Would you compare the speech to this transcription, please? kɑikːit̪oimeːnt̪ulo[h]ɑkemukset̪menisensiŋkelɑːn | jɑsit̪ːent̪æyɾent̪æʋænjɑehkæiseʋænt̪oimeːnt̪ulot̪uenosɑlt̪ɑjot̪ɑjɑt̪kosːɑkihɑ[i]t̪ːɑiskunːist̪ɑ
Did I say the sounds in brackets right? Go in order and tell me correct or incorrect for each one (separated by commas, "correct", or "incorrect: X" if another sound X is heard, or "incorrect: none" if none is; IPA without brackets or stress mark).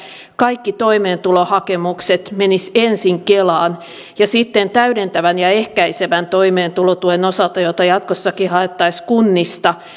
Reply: correct, incorrect: e